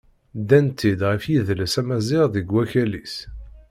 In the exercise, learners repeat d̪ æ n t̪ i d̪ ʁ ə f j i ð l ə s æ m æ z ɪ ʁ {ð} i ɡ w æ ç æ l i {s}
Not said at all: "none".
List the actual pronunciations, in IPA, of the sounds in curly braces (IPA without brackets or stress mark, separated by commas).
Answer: ð, s